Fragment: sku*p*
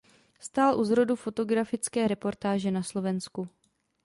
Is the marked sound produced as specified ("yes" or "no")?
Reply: no